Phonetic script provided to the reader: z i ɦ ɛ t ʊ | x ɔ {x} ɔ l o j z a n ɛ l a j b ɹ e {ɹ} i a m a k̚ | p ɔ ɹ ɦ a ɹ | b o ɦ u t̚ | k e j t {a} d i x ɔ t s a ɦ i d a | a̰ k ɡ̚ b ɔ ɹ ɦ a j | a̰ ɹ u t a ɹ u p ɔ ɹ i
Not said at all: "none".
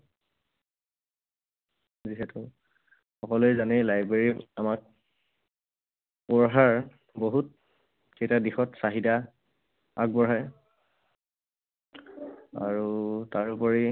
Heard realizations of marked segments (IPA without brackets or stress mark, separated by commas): k, ɹ, a